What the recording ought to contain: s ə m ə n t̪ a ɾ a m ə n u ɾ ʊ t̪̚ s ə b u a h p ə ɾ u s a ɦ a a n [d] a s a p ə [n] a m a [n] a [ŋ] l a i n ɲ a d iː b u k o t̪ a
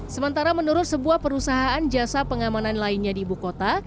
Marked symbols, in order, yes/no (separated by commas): no, no, yes, no